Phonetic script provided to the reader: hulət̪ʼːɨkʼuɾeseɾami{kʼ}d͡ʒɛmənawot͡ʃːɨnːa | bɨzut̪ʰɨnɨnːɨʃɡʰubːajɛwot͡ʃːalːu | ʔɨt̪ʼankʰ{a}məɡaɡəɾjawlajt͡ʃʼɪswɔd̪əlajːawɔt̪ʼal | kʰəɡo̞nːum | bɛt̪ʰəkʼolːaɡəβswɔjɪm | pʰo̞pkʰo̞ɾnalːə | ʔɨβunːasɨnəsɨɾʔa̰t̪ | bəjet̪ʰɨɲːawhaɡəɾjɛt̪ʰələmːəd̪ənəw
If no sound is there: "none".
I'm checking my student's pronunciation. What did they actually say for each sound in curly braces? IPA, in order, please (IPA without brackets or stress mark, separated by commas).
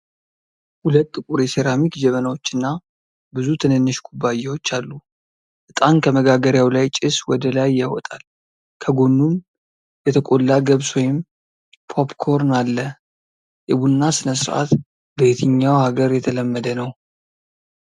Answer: k, ə